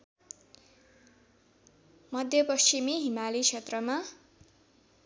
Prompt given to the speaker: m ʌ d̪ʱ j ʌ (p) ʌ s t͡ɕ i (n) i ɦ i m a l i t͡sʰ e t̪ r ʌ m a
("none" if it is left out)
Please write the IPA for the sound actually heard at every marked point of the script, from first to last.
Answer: p, m

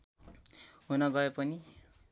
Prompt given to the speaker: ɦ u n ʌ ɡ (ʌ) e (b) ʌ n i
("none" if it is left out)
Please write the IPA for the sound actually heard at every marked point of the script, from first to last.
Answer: ʌ, p

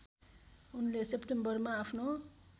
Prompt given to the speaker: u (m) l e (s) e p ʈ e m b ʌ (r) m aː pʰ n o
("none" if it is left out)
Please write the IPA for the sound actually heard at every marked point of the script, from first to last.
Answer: n, s, r

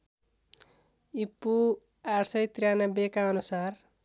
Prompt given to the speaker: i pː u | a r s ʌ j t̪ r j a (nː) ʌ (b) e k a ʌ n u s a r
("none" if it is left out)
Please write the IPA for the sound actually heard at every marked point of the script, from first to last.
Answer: n, b

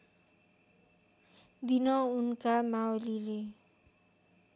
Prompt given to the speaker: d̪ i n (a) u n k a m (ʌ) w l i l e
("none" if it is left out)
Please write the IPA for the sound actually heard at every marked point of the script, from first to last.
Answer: ʌ, a

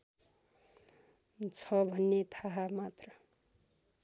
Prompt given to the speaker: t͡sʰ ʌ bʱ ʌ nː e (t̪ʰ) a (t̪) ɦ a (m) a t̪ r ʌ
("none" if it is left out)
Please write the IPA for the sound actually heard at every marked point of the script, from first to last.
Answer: t̪ʰ, none, m

